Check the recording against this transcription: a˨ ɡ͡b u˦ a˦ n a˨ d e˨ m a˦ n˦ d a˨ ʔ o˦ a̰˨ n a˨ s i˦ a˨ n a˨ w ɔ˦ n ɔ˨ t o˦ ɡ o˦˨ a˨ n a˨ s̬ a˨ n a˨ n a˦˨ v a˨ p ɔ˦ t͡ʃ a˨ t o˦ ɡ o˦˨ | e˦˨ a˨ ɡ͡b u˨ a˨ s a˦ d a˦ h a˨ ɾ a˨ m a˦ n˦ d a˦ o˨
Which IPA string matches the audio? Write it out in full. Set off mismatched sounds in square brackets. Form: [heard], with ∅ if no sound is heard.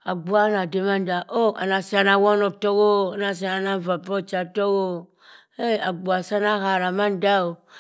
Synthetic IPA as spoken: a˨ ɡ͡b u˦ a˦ n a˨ d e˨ m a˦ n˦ d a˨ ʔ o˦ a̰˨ n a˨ s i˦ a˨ n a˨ w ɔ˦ n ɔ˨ t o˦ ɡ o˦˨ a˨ n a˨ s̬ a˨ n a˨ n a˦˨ v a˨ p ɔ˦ t͡ʃ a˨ t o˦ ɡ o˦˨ | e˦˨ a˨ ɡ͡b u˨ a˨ s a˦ [n] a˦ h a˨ ɾ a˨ m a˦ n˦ d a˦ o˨